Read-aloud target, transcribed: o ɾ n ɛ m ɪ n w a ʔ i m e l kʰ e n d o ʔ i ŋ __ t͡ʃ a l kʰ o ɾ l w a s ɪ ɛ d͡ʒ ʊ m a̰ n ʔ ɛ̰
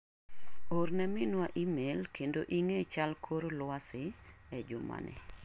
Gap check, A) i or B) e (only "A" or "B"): B